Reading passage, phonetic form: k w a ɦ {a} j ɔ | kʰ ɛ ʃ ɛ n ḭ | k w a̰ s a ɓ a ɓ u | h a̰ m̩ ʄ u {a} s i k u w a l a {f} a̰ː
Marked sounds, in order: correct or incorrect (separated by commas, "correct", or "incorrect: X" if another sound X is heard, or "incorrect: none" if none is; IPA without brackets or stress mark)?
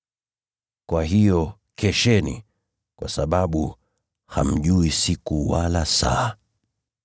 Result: incorrect: i, incorrect: i, incorrect: s